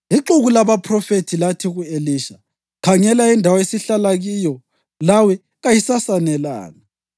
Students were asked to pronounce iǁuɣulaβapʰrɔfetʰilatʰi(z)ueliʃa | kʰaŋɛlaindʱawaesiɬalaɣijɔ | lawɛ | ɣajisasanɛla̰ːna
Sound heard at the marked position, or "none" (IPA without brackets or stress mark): ɣ